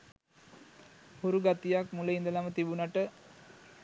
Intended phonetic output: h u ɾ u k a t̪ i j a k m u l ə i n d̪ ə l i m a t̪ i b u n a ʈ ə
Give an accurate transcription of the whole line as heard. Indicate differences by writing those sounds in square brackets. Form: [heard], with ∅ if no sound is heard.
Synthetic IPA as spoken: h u ɾ u [ɡ] a t̪ i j a k m u l ə i n d̪ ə l [a] m [ə] t̪ i b u n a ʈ ə